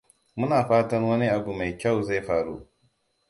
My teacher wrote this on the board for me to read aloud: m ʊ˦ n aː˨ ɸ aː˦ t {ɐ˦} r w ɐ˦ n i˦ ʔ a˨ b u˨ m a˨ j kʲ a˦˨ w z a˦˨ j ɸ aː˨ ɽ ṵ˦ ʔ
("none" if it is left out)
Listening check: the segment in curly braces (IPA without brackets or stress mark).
ɐ˦